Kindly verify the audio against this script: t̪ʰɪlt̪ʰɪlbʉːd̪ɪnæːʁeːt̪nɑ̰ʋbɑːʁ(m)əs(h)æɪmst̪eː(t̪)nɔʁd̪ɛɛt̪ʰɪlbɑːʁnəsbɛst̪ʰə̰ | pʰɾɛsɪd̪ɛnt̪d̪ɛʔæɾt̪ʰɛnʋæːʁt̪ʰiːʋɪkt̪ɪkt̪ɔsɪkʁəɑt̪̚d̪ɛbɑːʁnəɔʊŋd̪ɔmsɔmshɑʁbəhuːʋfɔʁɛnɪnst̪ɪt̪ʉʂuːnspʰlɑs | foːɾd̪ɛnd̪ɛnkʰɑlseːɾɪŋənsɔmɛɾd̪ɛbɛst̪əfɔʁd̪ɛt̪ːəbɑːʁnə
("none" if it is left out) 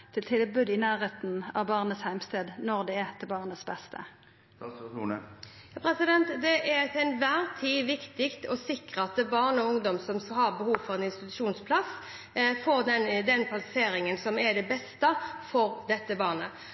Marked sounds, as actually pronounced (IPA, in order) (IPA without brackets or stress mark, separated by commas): n, h, d̪